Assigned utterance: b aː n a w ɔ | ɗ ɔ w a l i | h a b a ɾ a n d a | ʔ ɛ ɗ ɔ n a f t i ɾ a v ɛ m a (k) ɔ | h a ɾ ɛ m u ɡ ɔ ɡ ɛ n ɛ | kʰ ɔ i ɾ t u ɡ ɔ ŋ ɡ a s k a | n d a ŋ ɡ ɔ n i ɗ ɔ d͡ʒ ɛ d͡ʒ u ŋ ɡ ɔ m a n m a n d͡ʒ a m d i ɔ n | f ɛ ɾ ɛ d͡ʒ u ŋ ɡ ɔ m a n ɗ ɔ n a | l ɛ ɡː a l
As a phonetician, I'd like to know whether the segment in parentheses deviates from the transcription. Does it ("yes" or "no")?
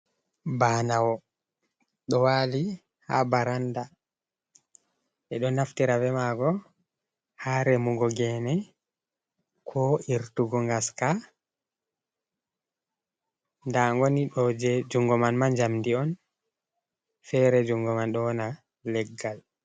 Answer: yes